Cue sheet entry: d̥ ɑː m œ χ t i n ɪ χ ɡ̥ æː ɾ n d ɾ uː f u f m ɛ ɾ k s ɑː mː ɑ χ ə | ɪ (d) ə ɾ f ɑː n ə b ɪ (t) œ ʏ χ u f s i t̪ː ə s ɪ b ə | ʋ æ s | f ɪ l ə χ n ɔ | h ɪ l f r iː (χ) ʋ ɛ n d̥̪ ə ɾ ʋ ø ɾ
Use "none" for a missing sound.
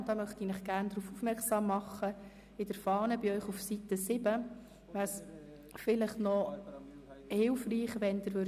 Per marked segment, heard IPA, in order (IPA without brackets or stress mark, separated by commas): d, none, χ